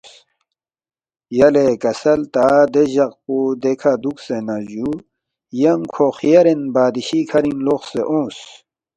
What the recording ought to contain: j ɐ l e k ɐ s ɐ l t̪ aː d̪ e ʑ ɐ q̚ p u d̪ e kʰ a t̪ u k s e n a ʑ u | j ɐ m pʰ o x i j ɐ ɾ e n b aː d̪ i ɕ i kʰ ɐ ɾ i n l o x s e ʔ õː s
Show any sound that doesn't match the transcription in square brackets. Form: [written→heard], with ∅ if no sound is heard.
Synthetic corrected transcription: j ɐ l e k ɐ s ɐ l t̪ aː d̪ e ʑ ɐ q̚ p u d̪ e kʰ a [t̪→d̪] u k s e n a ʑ u | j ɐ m [pʰ→kʰ] o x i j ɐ ɾ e n b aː d̪ i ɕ i kʰ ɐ ɾ i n l o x s e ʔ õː s

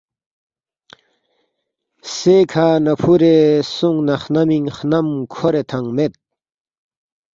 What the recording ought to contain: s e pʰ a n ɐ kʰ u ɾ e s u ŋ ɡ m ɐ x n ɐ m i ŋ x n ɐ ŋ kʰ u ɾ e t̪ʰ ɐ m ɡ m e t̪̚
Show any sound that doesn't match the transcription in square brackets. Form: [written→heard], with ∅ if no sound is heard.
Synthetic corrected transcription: s e [pʰ→kʰ] a n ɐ [kʰ→pʰ] u ɾ e s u ŋ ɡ [m→n] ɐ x n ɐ m i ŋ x n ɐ [ŋ→m] kʰ [u→o] ɾ e t̪ʰ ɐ [m→ŋ] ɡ m e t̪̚

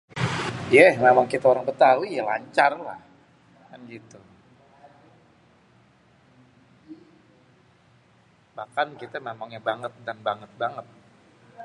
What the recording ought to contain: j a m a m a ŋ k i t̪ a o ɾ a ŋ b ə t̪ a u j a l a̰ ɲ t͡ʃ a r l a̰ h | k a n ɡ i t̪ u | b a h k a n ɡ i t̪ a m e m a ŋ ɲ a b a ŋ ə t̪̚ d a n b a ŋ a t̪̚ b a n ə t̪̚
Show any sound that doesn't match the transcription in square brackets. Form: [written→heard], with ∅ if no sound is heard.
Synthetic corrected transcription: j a m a m a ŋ k i t̪ a o ɾ a ŋ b ə t̪ a u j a l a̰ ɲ t͡ʃ a r l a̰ h | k a n ɡ i t̪ u | b a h k a n [ɡ→k] i t̪ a m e m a ŋ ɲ a b a ŋ ə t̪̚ d a n b a ŋ [a→ə] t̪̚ b a [n→ŋ] ə t̪̚

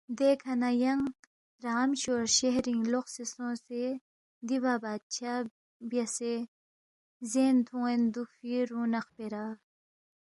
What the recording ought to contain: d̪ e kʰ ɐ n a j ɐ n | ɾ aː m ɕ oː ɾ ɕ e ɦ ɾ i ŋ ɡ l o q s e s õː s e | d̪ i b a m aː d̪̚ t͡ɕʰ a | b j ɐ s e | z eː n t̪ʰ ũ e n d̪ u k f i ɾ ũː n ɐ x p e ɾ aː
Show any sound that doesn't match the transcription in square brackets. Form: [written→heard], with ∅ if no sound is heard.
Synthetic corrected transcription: d̪ e kʰ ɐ n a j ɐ [n→ŋ] | ɾ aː m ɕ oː ɾ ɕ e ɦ ɾ i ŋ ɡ l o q s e s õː s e | d̪ i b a [m→b] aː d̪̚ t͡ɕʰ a | b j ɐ s e | z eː n t̪ʰ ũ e n d̪ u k f i ɾ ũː n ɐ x p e ɾ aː

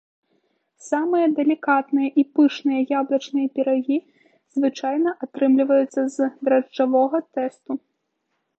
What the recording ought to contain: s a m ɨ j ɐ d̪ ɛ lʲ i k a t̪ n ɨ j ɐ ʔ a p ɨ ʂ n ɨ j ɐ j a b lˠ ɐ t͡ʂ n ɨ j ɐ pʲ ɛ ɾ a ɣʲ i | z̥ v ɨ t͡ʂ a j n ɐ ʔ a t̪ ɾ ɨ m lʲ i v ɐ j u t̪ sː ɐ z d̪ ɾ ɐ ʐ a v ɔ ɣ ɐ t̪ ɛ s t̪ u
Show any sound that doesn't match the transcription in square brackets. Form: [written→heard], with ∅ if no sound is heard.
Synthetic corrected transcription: s a m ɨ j ɐ d̪ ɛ lʲ i k a t̪ n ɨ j ɐ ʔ [a→i] p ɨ ʂ n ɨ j ɐ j a b lˠ ɐ t͡ʂ n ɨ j ɐ pʲ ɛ ɾ a ɣʲ i | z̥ v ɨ t͡ʂ a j n ɐ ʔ a t̪ ɾ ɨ m lʲ i v ɐ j u t̪ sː ɐ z d̪ ɾ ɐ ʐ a v ɔ ɣ ɐ t̪ ɛ s t̪ u

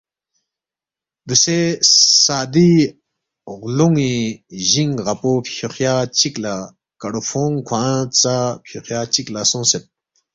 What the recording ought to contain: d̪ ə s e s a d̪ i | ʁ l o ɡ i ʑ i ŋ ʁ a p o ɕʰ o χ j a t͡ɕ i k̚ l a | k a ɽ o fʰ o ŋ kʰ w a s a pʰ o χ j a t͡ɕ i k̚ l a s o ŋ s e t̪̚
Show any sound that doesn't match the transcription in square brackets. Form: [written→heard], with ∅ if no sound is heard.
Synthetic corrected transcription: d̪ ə s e s a d̪ i | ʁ l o [ɡ→ŋ] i ʑ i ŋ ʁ a p o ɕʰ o χ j a t͡ɕ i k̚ l a | k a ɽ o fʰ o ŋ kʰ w a [s→t͡s] a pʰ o χ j a t͡ɕ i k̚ l a s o ŋ s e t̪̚

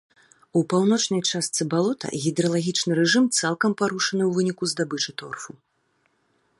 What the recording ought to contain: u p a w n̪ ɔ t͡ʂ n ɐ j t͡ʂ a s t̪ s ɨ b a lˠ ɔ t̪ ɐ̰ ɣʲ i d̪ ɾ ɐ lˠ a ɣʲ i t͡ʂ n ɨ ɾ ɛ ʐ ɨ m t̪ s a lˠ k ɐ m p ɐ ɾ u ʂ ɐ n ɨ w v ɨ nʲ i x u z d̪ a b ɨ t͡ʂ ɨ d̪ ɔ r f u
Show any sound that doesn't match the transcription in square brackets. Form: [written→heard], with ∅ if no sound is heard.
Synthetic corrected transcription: u p a w n̪ ɔ t͡ʂ n ɐ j t͡ʂ a s t̪ s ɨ b a lˠ ɔ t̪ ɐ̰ ɣʲ i d̪ ɾ ɐ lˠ a ɣʲ i t͡ʂ n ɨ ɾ ɛ ʐ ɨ m t̪ s a lˠ k ɐ m p [ɐ→a] ɾ u ʂ ɐ n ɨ w v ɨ nʲ i [x→k] u z d̪ a b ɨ t͡ʂ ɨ [d̪→t̪] ɔ r f u

